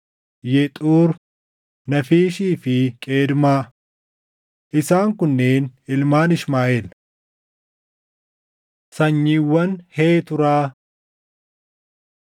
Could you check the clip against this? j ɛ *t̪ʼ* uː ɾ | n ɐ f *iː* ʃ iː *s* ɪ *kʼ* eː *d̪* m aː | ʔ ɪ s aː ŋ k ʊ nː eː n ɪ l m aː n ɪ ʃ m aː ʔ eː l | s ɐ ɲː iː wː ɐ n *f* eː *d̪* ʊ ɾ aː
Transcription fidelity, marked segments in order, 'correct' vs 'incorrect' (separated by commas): correct, correct, incorrect, correct, correct, incorrect, incorrect